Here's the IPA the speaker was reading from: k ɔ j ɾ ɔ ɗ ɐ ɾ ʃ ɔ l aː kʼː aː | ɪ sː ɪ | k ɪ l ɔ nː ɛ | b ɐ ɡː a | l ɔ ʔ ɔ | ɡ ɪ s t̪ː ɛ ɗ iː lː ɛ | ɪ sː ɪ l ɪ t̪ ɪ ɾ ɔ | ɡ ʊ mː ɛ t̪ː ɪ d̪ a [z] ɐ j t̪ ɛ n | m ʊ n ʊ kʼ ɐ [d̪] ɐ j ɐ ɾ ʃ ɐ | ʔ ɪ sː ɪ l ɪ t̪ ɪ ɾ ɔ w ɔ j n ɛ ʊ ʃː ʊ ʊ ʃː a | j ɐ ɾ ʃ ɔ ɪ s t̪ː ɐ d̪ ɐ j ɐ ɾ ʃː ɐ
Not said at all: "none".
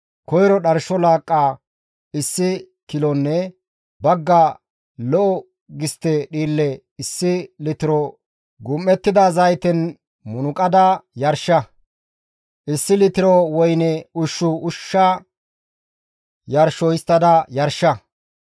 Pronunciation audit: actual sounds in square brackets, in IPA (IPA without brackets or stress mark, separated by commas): z, d̪